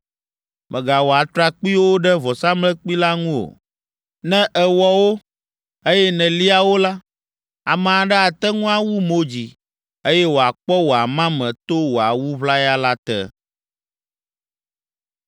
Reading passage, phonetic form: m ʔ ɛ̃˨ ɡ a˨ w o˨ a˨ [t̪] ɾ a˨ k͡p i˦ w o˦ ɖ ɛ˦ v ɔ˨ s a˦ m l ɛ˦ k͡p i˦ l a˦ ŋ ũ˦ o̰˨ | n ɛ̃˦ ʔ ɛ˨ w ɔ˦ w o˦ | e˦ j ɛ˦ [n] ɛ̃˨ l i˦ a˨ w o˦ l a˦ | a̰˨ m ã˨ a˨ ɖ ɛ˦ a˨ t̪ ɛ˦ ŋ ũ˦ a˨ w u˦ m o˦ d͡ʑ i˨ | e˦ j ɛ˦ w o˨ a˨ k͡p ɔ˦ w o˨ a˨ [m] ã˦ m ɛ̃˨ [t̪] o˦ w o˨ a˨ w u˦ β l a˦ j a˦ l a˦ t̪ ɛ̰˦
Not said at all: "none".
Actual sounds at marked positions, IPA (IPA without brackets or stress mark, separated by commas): t̪, n, m, t̪